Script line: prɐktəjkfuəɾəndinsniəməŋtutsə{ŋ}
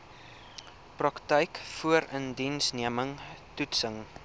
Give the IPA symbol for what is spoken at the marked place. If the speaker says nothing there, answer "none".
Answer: ŋ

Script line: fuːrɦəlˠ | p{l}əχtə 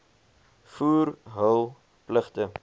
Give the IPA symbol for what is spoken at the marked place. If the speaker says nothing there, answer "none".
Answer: l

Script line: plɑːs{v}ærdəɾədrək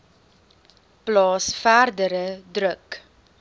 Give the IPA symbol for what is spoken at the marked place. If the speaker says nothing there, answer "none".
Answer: f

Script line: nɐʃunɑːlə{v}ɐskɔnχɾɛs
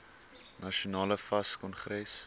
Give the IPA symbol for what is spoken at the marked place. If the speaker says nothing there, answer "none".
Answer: f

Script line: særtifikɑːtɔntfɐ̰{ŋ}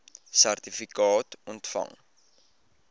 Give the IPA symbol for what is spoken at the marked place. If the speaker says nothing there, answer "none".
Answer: ŋ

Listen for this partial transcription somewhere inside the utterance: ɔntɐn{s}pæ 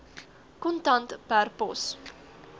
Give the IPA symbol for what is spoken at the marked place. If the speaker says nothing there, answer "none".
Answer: t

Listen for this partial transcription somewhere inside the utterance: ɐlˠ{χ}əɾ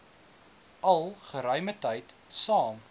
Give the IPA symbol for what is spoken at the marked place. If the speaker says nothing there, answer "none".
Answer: χ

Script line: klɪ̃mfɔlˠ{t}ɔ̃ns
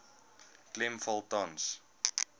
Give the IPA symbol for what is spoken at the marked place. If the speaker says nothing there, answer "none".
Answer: t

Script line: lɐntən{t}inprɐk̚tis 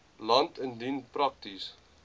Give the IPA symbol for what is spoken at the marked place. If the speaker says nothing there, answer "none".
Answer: d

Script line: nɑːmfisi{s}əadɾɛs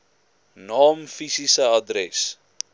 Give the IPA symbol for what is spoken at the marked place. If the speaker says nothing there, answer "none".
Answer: s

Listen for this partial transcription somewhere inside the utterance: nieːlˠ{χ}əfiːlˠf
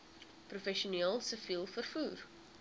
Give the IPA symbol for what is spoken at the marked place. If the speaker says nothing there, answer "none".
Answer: s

